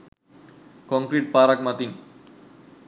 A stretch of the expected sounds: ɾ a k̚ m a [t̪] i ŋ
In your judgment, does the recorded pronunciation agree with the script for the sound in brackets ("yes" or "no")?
yes